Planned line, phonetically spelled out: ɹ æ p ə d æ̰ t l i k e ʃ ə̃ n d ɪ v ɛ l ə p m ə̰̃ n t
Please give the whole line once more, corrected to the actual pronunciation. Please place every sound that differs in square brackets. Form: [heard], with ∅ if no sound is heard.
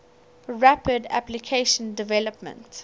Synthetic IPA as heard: ɹ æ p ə d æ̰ [p] l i [kʰ] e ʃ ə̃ n d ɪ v ɛ l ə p m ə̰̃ n t